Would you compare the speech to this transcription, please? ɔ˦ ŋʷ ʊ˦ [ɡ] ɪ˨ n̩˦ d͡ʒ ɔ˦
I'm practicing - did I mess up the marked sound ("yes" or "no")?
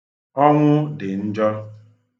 yes